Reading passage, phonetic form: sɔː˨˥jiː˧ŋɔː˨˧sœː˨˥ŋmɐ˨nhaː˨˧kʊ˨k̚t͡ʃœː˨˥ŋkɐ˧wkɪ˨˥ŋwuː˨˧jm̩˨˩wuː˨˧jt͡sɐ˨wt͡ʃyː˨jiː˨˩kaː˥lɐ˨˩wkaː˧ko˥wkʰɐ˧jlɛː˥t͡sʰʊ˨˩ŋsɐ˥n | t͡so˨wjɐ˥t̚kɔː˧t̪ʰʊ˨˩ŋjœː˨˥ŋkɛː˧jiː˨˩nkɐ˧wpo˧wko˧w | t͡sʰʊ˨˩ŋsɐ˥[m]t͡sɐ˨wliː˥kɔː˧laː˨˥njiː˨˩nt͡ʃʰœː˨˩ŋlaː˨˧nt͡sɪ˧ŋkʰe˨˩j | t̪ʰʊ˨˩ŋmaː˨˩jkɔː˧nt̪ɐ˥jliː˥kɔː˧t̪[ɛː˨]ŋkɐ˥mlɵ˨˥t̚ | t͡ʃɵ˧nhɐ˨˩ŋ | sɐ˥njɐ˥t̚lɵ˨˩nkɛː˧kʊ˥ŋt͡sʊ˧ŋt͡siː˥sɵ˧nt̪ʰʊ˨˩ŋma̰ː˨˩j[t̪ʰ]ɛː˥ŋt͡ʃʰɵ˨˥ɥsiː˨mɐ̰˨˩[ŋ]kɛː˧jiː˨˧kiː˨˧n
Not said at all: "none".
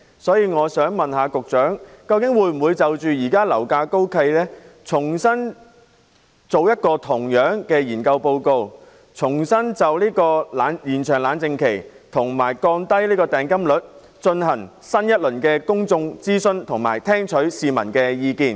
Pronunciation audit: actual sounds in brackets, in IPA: n, ɛː˨, t̪ʰ, n

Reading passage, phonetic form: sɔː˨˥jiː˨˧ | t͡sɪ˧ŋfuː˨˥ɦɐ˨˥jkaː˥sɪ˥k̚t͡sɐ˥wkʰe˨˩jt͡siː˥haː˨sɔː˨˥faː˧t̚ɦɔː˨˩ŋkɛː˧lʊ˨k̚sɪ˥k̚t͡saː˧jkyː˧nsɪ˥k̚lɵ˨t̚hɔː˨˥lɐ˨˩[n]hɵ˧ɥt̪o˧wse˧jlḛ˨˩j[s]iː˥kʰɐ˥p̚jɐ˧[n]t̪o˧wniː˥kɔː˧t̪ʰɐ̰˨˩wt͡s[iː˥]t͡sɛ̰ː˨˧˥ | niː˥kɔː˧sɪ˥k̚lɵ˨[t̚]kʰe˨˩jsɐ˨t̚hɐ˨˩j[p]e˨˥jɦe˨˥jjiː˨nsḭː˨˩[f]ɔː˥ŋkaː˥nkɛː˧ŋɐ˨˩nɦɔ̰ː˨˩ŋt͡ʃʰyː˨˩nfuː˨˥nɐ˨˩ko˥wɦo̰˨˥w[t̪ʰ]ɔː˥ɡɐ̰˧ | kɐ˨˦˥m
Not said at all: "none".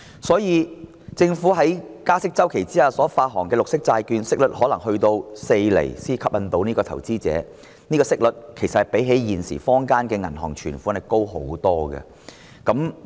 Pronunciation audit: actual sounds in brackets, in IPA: ŋ, s, n, iː˥, t̚, p, f, t̪

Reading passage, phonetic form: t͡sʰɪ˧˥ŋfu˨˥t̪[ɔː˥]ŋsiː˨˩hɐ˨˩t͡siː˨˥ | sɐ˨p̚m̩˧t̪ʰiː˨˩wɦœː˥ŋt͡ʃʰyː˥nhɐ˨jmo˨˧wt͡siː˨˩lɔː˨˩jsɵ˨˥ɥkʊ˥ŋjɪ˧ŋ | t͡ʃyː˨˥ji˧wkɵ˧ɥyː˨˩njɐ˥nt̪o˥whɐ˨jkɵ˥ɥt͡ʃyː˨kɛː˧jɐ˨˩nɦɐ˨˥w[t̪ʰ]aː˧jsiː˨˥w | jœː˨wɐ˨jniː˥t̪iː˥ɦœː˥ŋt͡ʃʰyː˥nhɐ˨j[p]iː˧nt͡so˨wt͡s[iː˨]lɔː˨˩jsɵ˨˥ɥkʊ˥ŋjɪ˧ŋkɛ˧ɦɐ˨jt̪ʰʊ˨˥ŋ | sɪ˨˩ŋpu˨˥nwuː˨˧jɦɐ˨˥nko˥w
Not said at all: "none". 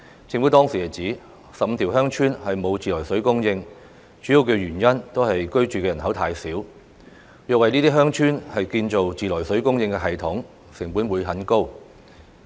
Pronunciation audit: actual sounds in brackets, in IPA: ɔː˥, t̪ʰ, k, iː˨

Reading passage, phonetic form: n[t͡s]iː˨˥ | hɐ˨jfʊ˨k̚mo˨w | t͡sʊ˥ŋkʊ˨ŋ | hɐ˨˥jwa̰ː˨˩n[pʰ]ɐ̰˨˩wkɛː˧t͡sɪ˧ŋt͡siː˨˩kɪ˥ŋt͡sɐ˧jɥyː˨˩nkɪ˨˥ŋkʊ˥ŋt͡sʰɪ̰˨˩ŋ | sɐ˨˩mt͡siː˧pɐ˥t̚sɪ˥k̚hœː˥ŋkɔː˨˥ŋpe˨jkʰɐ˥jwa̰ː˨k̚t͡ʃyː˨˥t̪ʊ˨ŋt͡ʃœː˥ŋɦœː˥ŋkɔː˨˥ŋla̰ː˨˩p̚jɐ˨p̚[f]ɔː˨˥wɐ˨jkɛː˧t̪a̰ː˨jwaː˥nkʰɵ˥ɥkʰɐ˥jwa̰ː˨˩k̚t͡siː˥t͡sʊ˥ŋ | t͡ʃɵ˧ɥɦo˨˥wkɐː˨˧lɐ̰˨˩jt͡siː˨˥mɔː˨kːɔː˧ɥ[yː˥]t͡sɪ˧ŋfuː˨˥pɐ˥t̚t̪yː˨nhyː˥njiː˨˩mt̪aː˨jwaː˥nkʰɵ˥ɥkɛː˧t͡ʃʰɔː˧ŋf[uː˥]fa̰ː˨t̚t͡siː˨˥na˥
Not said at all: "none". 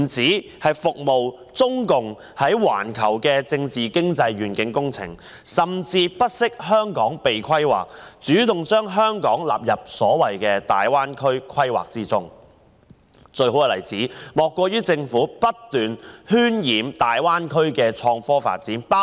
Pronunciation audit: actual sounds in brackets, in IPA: t͡s, kʰ, s, yː˥, ɔː˥

